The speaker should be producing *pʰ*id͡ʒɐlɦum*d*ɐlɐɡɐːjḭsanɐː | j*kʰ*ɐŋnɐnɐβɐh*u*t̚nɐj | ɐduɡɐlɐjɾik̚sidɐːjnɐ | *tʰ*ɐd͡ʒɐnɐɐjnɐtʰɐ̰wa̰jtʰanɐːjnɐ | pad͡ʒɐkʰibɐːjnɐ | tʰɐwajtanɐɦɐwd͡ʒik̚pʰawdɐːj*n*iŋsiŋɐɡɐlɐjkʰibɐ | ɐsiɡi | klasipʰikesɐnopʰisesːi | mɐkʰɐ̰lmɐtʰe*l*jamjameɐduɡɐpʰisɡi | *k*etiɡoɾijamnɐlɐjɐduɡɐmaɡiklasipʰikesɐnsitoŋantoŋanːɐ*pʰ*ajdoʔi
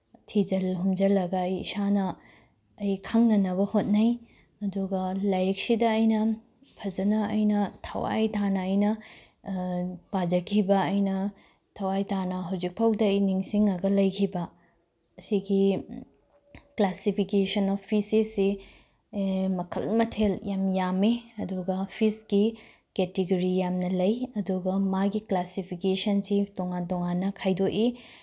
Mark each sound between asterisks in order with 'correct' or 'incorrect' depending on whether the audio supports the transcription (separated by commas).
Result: incorrect, incorrect, correct, incorrect, incorrect, correct, correct, correct, incorrect